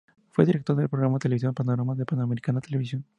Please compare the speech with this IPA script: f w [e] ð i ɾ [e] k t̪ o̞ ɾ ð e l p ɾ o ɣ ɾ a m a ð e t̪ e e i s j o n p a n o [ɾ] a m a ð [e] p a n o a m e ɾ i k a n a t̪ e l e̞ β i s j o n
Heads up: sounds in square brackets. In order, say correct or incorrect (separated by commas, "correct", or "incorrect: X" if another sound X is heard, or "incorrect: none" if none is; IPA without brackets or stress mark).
correct, correct, correct, correct